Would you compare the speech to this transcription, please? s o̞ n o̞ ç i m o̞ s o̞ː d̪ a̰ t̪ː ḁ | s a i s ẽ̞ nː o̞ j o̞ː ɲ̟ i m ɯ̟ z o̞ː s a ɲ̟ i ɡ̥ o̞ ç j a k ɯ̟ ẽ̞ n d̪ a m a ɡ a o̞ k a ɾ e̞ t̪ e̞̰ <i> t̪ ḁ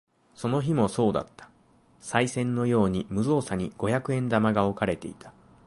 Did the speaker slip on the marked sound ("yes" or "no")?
no